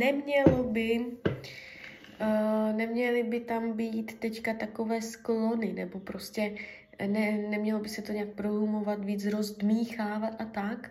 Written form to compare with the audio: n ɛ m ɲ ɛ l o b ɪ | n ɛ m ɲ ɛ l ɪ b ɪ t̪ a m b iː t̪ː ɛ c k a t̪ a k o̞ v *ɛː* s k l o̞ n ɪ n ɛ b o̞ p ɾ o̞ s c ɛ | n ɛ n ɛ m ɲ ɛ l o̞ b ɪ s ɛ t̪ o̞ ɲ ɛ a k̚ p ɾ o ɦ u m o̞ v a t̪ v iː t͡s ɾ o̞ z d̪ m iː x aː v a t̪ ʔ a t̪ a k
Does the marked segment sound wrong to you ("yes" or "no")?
no